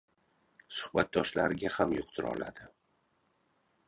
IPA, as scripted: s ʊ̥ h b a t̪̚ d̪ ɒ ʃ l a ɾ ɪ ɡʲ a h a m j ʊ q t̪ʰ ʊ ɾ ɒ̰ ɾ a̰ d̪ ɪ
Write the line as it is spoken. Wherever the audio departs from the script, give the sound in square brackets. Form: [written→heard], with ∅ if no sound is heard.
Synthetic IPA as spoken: s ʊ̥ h b a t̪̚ d̪ ɒ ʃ l a ɾ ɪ ɡʲ a h a m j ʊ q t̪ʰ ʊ ɾ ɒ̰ [ɾ→l] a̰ d̪ ɪ